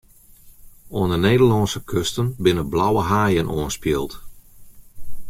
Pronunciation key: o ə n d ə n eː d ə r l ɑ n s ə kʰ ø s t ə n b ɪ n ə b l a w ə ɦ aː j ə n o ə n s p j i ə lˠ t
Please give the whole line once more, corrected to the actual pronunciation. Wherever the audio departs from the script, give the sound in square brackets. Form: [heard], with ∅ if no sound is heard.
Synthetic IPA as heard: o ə n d ə n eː d ə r l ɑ n s ə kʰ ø s t ə n b ɪ n ə b l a w ə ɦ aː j ə n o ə n s p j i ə lˠ t